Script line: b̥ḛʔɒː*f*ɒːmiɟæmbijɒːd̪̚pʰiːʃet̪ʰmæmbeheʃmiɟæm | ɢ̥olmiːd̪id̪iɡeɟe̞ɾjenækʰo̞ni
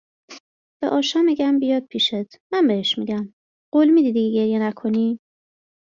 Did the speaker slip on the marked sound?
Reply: yes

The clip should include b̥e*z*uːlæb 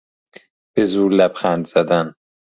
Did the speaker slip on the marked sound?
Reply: no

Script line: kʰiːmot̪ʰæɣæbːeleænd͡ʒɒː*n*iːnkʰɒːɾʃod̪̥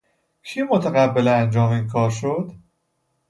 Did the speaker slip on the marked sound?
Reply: yes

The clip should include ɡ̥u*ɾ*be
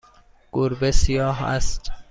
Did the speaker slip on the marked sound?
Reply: no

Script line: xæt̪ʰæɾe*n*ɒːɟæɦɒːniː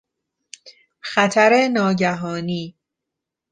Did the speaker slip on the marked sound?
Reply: no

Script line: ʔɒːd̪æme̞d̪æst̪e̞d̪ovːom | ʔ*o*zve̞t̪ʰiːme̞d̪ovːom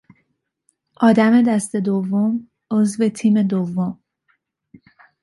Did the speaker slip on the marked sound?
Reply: no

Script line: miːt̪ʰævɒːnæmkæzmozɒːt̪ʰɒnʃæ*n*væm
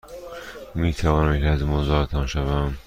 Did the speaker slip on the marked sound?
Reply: yes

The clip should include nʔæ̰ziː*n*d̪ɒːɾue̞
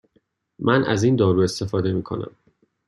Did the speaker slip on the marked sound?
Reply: no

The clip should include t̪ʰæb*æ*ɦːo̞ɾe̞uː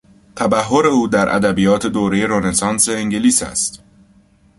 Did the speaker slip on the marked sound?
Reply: no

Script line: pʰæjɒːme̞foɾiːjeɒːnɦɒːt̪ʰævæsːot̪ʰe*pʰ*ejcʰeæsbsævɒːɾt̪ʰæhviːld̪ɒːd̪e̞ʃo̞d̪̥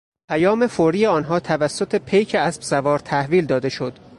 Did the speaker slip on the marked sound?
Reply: no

